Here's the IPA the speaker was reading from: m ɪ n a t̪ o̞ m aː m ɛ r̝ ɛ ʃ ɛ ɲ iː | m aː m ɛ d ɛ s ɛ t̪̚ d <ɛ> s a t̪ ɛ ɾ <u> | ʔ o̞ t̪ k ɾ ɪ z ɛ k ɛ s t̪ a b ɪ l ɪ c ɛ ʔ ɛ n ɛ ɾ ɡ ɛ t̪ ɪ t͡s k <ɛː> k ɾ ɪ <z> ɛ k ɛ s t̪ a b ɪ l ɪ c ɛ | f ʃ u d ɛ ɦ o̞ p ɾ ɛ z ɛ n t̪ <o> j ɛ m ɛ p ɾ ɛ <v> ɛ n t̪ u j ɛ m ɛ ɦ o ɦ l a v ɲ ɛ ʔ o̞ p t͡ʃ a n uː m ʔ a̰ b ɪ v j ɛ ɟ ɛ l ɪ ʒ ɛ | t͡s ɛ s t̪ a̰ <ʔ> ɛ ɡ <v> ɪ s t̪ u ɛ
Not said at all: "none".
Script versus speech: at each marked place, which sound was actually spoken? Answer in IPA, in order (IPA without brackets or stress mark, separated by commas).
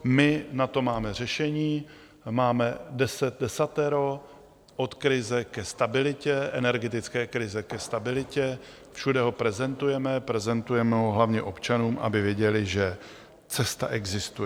ɛ, o, ɛː, z, u, z, ʔ, z